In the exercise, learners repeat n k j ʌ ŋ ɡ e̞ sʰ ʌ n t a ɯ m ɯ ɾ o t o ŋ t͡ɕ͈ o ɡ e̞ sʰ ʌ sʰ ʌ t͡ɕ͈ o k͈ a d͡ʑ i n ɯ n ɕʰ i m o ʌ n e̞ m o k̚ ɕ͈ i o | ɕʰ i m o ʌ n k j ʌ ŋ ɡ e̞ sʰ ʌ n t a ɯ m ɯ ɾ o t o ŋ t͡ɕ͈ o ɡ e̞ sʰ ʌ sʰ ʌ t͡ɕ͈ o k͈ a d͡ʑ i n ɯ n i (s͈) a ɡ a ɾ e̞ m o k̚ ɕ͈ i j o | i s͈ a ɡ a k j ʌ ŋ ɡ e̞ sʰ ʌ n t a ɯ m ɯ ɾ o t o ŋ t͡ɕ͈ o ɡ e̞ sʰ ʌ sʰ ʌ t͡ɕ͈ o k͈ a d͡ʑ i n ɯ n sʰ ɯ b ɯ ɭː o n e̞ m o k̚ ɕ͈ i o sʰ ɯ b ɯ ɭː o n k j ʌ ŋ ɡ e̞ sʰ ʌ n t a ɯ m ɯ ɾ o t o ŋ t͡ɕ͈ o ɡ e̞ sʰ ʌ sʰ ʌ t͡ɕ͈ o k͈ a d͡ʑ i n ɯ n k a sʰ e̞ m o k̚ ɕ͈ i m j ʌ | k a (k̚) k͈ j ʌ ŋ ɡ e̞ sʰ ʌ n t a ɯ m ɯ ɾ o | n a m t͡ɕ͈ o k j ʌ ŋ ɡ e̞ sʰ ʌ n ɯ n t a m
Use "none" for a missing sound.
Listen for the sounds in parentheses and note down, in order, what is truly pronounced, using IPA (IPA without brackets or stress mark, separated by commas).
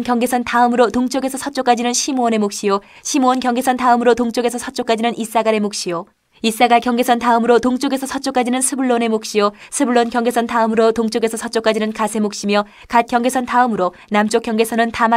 s͈, t̚